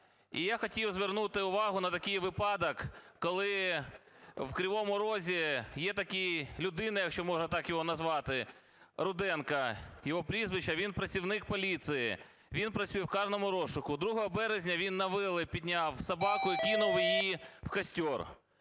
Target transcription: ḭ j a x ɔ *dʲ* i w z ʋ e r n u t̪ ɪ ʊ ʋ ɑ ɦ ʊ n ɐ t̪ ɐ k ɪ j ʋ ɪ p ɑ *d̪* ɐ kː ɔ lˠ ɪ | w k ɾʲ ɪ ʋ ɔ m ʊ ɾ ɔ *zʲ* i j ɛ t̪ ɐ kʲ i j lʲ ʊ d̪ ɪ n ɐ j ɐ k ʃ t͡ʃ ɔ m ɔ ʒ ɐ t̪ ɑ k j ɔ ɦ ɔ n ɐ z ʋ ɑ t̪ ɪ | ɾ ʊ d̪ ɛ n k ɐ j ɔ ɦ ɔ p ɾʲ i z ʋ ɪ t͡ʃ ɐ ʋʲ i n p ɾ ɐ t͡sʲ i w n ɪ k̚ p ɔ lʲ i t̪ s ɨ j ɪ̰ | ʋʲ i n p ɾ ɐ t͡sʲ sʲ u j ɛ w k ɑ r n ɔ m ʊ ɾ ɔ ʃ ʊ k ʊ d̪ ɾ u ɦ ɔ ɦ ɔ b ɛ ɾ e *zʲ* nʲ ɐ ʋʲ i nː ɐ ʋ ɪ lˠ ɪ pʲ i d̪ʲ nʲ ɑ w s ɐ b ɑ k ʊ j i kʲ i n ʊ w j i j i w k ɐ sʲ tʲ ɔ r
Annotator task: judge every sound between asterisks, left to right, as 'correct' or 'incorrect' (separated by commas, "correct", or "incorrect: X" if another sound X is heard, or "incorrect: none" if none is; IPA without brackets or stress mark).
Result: incorrect: tʲ, correct, correct, correct